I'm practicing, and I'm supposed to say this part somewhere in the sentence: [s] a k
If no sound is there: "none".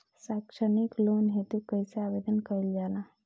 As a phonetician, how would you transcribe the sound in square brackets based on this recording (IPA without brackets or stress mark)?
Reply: s